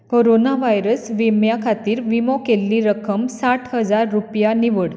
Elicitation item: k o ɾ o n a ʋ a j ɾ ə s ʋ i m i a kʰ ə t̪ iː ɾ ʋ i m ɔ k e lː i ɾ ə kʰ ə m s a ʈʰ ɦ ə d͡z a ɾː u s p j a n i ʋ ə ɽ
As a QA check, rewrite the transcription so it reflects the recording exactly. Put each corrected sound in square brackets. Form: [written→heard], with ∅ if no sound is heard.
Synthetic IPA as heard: k o ɾ o n a ʋ a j ɾ ə s ʋ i m [i→j] a kʰ [ə→a] t̪ iː ɾ ʋ i m ɔ k e lː i ɾ ə kʰ ə m s a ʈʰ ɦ ə d͡z a ɾː u [s→∅] p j a n i ʋ ə ɽ